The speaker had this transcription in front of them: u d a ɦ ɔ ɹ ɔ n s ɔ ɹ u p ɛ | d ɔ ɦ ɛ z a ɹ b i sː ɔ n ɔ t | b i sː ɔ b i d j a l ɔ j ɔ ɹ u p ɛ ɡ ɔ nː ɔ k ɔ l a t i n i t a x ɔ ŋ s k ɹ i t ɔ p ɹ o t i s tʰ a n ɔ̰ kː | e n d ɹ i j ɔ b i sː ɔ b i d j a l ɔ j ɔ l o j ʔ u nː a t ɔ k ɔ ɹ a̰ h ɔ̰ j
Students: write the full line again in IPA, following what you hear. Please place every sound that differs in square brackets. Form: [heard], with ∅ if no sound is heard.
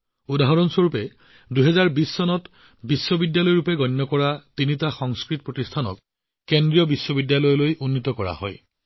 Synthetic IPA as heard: u d a ɦ ɔ ɹ ɔ n s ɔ ɹ u p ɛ | d [u] ɦ ɛ z a ɹ b i sː ɔ n ɔ t | b i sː ɔ b i d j a l ɔ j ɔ ɹ u p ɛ ɡ ɔ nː ɔ k ɔ [ɹ] a t i n i t a x ɔ ŋ s k ɹ i t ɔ p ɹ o t i s tʰ a n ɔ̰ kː | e n d ɹ i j ɔ b i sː ɔ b i d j a l ɔ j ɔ l o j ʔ u nː [i] t ɔ k ɔ ɹ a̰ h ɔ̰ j